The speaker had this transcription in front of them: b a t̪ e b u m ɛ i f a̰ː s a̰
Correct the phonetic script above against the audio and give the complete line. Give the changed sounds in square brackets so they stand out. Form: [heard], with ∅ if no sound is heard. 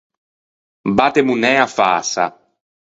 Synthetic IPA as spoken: b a t̪ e [m] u [n] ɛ [a] f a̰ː s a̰

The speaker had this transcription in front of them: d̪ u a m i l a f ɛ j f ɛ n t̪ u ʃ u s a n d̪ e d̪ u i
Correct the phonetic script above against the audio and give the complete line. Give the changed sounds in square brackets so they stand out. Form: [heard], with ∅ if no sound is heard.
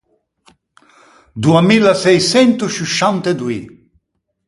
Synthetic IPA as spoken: d̪ u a m i l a [s] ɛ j [s] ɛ n t̪ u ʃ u [ʃ] a n [t̪] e d̪ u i

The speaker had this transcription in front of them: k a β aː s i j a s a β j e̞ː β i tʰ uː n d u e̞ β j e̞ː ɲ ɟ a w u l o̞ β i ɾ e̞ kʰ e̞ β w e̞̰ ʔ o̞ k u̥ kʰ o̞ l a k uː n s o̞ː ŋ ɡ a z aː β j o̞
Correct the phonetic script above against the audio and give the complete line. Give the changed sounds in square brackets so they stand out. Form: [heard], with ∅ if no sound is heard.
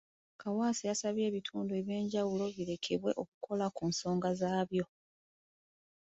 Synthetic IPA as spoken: k a [w] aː s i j a s a β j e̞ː β i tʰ uː n d u e̞ β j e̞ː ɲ ɟ a w u l o̞ β i ɾ e̞ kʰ e̞ β w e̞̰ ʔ o̞ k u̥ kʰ o̞ l a k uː n s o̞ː ŋ ɡ a z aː β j o̞

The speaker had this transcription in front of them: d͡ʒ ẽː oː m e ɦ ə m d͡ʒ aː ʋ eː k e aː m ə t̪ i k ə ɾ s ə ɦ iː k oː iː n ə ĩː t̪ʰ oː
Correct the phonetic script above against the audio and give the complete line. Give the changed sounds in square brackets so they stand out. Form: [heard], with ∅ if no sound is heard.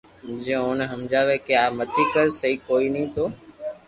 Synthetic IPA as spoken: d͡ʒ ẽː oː [n] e ɦ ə m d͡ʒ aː ʋ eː k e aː m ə t̪ i k ə ɾ s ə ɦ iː k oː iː n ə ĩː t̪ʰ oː

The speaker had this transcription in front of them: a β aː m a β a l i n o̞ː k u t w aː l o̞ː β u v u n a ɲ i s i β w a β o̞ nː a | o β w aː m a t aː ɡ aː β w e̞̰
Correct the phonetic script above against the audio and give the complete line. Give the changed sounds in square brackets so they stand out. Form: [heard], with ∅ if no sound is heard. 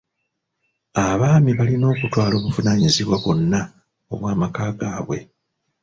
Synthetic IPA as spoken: a β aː m [i] β a l i n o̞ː k u t w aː l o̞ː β u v u n a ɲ i [z] i β w a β o̞ nː a | o β w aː m a [k] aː ɡ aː β w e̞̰

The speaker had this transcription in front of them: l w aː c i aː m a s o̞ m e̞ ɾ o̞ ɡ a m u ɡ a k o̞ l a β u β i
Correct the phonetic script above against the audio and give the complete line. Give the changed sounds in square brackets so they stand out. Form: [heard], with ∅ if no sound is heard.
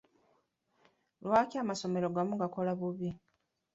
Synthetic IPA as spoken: l w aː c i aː m a s o̞ m e̞ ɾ o̞ ɡ a m u ɡ a k o̞ l a β u β i

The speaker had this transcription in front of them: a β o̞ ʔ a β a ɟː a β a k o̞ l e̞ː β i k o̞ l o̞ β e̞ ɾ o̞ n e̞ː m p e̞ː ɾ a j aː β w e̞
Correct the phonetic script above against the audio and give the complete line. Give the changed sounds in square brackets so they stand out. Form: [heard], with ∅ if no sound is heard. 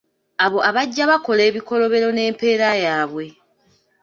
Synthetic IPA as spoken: a β o̞ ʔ a β a ɟː a β a k o̞ l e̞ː β i k o̞ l o̞ β e̞ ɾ o̞ n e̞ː m p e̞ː ɾ a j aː β w e̞

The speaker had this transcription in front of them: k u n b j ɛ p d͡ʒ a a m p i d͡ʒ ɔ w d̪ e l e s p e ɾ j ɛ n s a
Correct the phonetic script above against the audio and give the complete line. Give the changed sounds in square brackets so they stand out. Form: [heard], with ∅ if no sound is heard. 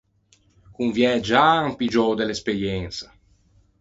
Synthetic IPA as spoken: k u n [v] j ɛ [∅] d͡ʒ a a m p i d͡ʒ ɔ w d̪ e l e s p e ɾ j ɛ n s a

